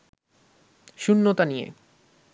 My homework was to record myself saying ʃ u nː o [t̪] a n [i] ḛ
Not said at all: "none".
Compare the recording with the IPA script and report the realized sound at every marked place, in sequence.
t̪, i

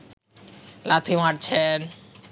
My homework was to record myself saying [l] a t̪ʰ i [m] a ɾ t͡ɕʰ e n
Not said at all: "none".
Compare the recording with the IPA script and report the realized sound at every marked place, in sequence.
l, m

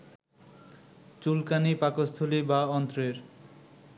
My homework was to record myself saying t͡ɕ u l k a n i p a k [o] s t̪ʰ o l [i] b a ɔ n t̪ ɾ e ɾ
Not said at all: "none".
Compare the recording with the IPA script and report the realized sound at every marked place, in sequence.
o, i

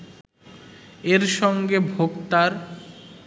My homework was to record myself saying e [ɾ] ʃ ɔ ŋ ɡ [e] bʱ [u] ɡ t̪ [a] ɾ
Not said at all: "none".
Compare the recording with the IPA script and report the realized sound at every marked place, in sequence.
ɾ, e, o, a

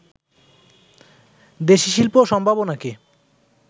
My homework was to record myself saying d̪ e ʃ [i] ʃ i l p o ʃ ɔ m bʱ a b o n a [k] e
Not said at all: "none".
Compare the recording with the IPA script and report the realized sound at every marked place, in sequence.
i, k

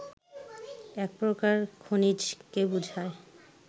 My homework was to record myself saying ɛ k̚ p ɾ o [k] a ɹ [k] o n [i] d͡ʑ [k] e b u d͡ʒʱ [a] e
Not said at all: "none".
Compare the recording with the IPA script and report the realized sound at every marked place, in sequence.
k, kʰ, i, k, a

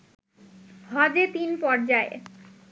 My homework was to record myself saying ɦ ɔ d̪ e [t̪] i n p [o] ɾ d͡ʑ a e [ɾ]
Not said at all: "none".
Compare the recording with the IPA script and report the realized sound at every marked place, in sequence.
t̪, ɔ, none

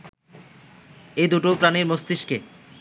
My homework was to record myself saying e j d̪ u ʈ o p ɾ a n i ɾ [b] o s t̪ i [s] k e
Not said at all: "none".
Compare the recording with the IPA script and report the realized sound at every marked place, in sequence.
m, ʃ

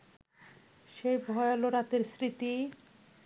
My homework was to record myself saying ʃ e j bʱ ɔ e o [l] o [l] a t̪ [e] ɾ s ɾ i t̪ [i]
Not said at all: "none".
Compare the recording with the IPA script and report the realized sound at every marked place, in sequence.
l, ɾ, e, i

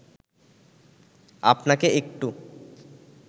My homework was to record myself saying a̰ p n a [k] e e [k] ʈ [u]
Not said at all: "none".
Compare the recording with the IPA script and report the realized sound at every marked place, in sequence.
k, k, u

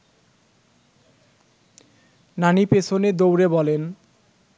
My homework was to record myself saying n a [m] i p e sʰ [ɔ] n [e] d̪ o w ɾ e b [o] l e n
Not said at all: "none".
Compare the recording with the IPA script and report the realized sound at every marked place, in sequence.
n, o, e, ɔ

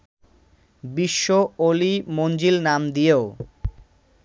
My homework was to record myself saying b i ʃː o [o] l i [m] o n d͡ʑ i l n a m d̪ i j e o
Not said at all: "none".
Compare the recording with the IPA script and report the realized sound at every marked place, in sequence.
o, m

